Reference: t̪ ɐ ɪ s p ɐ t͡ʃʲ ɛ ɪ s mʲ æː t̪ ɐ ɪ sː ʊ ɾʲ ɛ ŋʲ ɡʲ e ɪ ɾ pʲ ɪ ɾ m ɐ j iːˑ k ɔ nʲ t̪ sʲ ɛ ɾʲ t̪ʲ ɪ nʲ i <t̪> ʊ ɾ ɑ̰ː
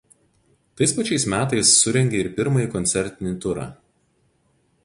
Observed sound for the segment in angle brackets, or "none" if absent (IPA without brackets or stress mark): t̪